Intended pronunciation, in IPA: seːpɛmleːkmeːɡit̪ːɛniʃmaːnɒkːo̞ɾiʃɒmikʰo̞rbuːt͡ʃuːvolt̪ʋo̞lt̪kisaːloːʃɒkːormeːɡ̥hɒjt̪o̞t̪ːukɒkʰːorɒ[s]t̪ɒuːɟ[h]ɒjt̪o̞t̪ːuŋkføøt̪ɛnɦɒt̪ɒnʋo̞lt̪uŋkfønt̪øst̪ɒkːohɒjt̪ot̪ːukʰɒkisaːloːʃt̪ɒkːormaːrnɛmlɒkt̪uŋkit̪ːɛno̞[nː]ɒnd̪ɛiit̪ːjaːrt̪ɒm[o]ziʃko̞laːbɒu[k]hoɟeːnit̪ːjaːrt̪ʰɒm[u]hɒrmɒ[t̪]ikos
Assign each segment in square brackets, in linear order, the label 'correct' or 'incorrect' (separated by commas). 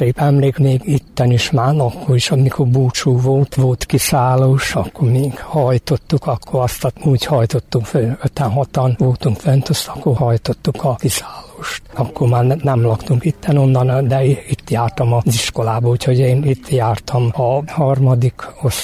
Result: correct, correct, correct, incorrect, incorrect, incorrect, incorrect